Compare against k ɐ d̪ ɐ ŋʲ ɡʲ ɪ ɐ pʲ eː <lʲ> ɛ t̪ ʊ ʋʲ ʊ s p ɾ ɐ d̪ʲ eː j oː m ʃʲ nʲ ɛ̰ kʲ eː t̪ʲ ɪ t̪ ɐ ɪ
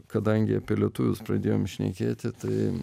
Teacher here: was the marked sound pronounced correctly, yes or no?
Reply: yes